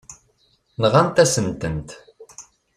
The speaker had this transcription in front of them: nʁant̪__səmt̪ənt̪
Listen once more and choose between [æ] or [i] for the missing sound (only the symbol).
æ